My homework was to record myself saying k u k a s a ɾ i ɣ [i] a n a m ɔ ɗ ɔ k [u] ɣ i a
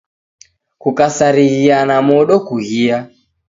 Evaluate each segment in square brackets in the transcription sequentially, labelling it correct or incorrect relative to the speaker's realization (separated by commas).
correct, correct